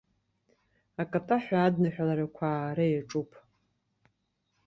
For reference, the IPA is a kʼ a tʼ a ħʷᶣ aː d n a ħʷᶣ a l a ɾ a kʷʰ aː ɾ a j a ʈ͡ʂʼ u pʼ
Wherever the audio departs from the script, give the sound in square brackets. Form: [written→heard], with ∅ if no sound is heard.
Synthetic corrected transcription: a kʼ a tʼ a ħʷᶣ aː d n a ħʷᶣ a l a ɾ a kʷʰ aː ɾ a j a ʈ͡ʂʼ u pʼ

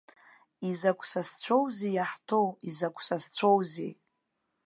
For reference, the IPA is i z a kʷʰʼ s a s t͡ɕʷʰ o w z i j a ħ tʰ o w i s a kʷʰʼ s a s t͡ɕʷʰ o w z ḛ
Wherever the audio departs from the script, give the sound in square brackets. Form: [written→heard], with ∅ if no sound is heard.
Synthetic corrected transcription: i z a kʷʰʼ s a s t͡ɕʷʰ o w z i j a ħ tʰ o w i [s→z] a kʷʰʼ s a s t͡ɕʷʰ o w z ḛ

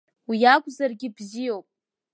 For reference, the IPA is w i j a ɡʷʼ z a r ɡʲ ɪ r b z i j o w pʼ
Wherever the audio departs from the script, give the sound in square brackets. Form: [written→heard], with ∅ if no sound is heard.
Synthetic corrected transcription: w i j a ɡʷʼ z a r ɡʲ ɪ [r→∅] b z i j o w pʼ

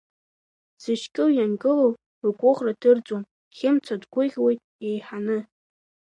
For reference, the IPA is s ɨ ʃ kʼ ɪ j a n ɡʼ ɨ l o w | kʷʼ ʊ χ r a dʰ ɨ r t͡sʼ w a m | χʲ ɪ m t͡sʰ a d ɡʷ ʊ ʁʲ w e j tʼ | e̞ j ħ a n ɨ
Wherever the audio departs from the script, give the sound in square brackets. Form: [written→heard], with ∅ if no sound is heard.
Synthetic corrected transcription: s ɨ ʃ kʼ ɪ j a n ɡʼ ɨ l o w | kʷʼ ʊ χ r a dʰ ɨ r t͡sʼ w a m | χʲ ɪ m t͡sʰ a d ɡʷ ʊ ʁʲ w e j tʼ | e̞ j ħ a n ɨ

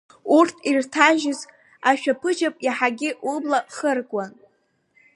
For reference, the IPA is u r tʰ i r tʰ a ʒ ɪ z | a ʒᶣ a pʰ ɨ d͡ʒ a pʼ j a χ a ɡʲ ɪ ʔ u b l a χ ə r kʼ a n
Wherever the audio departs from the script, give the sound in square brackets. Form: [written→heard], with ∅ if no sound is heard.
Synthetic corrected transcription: u r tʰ i r tʰ a ʒ ɪ z | a [ʒᶣ→ʃᶣ] a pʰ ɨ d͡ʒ a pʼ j a [χ→ħ] a ɡʲ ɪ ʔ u b l a χ ə r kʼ a n

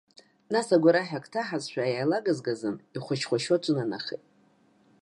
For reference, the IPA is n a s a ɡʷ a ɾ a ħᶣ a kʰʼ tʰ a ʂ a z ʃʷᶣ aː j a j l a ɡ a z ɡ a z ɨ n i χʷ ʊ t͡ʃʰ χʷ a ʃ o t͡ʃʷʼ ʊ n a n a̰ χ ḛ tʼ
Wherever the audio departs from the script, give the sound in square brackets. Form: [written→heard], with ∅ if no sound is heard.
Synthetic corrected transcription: n a s a ɡʷ a ɾ a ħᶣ a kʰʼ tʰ a [ʂ→ħ] a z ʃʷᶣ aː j a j l a ɡ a z ɡ a z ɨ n i χʷ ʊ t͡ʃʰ χʷ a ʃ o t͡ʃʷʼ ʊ n a n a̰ χ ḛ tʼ

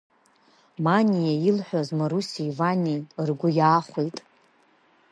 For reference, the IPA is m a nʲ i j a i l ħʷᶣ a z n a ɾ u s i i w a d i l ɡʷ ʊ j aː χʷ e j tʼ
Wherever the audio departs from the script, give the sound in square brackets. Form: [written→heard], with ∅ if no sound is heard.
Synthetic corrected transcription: m a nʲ i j a i l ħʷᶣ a z [n→m] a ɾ u s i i [w→v] a [d→n] i [l→r] ɡʷ ʊ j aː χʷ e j tʼ

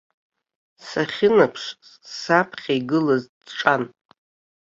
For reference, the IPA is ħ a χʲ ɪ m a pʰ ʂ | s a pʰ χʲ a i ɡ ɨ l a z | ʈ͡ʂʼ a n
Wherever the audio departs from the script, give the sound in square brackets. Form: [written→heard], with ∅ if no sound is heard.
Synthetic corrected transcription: [ħ→s] a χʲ ɪ [m→n] a pʰ ʂ | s a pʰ χʲ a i ɡ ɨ l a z | ʈ͡ʂʼ a n

